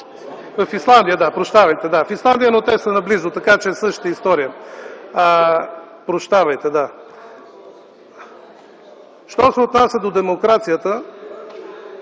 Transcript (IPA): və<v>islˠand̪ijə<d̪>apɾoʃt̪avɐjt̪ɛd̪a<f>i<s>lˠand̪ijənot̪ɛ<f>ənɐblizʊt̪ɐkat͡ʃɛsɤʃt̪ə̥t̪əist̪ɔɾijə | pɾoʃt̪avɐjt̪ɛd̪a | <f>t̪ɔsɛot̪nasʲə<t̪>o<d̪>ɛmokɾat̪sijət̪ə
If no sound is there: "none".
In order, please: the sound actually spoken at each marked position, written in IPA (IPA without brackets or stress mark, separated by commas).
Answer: f, d̪, f, s, s, ʃ, d̪, d̪